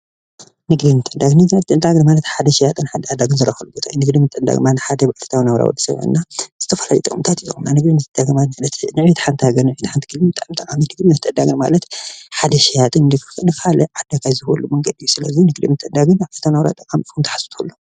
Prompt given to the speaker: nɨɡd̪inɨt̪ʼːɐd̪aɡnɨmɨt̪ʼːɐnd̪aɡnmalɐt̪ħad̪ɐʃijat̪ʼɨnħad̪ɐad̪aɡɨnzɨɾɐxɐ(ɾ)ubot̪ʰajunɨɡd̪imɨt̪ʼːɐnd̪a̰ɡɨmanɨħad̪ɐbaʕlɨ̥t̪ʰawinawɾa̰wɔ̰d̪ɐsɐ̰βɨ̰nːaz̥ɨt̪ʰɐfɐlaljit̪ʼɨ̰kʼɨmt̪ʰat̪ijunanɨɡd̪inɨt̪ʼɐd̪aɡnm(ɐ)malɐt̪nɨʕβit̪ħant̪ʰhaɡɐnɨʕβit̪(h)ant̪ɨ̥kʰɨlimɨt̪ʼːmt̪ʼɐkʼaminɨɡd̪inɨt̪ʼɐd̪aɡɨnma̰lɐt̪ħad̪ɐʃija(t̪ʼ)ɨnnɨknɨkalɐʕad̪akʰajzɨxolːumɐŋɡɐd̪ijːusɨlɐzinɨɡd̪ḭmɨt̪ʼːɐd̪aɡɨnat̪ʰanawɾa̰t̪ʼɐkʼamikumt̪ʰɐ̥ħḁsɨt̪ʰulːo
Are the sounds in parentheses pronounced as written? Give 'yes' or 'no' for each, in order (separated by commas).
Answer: no, no, no, yes